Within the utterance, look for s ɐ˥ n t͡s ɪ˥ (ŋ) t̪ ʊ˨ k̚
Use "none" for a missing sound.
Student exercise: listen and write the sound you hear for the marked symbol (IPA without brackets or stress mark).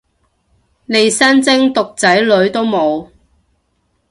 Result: ŋ